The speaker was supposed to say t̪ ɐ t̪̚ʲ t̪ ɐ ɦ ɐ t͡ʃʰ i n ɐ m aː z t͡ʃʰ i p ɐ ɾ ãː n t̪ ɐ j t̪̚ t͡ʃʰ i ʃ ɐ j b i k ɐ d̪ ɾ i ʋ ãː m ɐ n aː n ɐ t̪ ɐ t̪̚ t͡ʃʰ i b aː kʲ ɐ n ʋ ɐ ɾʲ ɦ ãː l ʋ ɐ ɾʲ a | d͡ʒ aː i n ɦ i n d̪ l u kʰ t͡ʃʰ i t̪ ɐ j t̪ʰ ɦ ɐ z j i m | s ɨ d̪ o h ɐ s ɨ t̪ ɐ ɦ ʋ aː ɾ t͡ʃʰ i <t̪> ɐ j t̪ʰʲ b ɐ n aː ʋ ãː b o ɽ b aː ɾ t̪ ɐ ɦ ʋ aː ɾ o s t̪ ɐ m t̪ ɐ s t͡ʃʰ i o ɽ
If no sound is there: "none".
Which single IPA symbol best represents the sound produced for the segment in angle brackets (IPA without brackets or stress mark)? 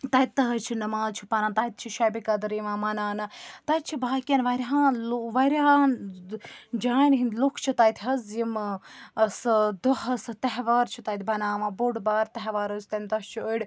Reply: t̪